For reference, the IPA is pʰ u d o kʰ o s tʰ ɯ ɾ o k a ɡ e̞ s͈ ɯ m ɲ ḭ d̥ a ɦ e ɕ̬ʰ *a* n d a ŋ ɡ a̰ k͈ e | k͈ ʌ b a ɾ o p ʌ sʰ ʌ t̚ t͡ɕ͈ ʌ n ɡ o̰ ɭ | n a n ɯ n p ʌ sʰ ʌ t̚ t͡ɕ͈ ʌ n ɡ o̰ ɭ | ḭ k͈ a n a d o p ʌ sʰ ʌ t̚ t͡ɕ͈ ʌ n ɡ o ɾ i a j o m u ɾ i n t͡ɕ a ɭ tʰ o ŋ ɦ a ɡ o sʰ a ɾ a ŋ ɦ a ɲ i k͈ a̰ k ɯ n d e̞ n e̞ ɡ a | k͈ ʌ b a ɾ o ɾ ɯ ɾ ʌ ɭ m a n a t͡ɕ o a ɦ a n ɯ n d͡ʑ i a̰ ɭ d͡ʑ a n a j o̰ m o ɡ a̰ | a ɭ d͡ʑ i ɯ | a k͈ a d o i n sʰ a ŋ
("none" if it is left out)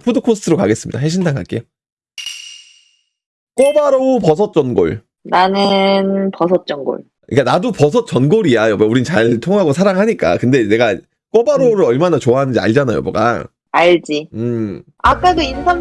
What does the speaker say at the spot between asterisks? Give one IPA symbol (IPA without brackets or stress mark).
i